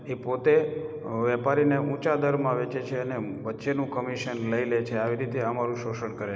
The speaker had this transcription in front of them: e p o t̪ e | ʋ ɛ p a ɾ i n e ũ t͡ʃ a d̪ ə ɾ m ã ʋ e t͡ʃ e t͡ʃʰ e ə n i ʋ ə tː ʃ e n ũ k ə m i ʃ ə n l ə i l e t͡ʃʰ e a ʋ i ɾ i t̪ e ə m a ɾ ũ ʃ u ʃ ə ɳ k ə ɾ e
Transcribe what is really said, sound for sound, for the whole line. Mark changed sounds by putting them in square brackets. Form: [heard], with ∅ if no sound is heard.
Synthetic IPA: e p o t̪ e | ʋ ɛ p a ɾ i n e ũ t͡ʃ a d̪ ə ɾ m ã ʋ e t͡ʃ e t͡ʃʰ e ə n [e] ʋ ə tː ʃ e n ũ k ə m i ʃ ə n l ə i l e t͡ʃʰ e a ʋ i ɾ i t̪ e ə m a ɾ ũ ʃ [o] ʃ ə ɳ k ə ɾ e